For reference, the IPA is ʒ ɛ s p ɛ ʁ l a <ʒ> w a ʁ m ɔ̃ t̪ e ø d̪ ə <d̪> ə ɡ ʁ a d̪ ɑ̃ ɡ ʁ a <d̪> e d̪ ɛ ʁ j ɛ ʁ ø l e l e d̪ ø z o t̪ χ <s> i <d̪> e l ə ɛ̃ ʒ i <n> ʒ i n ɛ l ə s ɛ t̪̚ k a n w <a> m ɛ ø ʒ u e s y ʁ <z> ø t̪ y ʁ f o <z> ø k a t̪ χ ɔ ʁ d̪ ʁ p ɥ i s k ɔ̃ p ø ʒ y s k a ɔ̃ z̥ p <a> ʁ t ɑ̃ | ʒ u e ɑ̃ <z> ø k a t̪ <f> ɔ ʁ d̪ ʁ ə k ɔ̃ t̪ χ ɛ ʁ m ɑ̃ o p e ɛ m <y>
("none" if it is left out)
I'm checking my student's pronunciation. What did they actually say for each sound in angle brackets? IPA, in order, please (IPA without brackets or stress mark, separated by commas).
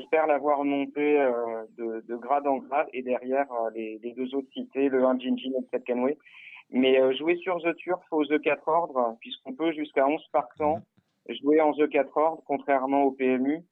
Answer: v, d̪, d̪, s, t̪, n, e, z, z, a, z, χ, y